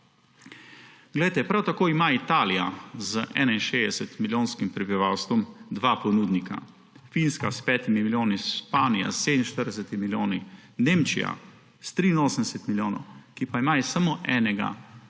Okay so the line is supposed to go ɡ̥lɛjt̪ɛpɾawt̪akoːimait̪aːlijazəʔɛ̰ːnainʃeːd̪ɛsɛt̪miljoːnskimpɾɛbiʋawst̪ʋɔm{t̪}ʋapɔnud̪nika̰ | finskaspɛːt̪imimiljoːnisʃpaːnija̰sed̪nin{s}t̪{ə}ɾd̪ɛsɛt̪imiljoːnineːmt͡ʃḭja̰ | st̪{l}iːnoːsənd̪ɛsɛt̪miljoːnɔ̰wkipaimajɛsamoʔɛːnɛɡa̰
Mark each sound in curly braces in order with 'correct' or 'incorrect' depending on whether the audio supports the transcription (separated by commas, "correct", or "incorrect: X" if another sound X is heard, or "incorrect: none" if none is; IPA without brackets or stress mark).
incorrect: d̪, incorrect: ʃ, correct, incorrect: ɾ